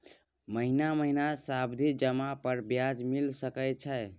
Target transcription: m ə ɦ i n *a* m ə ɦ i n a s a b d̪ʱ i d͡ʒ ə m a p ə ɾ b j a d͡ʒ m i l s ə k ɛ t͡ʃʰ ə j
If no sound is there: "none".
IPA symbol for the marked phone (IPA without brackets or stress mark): a